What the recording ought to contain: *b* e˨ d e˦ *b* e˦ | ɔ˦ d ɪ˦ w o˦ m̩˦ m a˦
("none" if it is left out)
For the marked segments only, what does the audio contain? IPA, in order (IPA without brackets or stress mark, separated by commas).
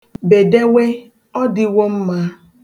b, w